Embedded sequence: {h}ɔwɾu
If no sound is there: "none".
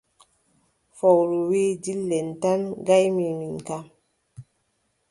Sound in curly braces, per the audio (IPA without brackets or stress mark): f